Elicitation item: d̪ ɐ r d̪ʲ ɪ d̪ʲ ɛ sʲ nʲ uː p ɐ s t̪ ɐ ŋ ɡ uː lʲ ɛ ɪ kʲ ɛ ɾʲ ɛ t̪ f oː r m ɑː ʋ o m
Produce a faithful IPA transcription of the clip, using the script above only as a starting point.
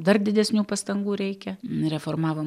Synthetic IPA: d̪ ɐ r d̪ʲ ɪ d̪ʲ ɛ sʲ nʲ uː p ɐ s t̪ ɐ ŋ ɡ uː ɾʲ ɛ ɪ kʲ ɛ ɾʲ ɛ f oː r m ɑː ʋ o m